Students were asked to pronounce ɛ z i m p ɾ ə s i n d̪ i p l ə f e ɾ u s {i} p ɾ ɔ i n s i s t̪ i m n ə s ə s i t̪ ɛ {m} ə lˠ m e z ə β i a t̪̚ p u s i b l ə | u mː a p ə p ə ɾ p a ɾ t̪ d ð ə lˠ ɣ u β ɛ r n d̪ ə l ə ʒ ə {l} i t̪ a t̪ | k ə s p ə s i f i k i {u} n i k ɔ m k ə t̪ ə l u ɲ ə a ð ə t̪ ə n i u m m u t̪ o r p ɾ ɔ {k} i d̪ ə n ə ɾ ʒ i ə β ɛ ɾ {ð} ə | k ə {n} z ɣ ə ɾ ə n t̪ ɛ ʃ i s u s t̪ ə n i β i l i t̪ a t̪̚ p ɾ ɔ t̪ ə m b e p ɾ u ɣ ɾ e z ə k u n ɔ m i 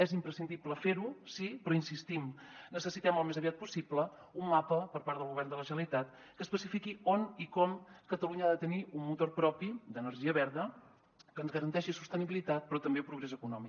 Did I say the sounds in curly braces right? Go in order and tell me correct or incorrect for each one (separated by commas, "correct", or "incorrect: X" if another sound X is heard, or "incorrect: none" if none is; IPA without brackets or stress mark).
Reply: correct, correct, correct, incorrect: o, incorrect: p, correct, correct